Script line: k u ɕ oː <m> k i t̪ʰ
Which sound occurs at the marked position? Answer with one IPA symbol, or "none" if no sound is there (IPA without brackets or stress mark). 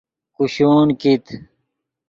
n